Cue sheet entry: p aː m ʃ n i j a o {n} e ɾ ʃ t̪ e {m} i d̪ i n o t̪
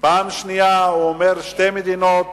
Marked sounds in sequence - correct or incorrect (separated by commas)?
incorrect, correct